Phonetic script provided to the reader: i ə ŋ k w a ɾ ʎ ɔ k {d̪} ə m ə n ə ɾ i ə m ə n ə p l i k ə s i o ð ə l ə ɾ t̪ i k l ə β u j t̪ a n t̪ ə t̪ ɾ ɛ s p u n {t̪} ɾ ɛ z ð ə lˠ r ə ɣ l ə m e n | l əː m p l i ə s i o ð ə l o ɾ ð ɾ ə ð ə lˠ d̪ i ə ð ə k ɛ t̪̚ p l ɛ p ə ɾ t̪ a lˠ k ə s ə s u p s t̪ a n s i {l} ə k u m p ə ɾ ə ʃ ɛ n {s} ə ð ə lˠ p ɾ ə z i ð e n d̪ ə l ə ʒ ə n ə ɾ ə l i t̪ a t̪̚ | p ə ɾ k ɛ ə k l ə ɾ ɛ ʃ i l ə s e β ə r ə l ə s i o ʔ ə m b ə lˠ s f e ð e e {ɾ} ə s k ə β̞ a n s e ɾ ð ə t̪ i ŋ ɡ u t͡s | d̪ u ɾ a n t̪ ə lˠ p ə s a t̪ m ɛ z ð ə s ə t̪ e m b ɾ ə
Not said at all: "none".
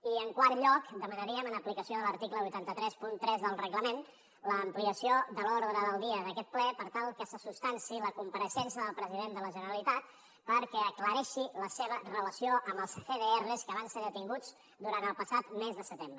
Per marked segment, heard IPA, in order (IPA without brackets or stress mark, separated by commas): d̪, t̪, l, s, r